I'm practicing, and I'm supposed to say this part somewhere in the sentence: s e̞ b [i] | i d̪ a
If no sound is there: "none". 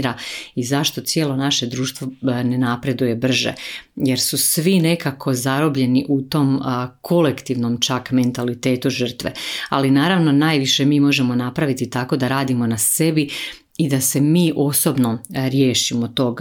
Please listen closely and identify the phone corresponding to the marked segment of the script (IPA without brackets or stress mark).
i